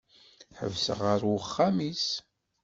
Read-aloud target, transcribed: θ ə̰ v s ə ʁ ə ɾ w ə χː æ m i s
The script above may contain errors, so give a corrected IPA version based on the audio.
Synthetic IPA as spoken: ħ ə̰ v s ə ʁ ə ɾ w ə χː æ m i s